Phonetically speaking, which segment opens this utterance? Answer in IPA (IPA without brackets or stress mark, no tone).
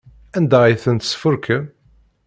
æ